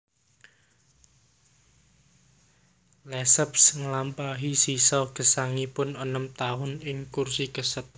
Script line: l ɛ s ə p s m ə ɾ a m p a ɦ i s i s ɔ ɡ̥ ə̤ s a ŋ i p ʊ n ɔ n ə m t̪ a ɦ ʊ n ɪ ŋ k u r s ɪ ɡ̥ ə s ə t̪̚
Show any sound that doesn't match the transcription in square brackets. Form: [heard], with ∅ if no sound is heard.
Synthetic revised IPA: l ɛ s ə p s [ŋ] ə [l] a m p a ɦ i s i s ɔ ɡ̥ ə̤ s a ŋ i p ʊ n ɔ n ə m t̪ a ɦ ʊ n ɪ ŋ k u r s [i] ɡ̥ ə s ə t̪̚